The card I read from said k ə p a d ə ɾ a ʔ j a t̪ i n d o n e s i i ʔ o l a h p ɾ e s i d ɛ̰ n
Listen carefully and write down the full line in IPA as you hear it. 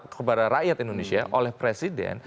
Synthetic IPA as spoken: k ə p a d a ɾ a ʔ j a t̪ i n d o n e s i a ʔ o l ɛ h p ɾ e s i d ɛ̰ n